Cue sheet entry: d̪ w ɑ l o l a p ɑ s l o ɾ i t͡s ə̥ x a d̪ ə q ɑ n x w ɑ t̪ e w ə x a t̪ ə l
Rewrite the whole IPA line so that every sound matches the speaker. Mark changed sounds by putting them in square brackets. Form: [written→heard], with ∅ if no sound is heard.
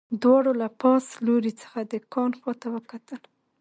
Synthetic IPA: d̪ w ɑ [l→ɽ] o l a p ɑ s l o ɾ i t͡s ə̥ x a d̪ ə [q→k] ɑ n x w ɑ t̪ [e→a] w ə [x→k] a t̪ ə l